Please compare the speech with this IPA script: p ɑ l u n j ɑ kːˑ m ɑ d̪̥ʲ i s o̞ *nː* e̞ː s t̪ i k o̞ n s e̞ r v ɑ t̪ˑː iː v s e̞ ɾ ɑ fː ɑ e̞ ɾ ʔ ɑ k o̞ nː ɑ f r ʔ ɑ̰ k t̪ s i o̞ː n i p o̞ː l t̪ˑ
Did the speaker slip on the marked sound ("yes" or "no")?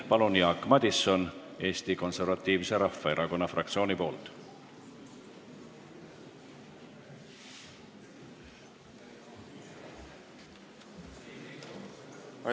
yes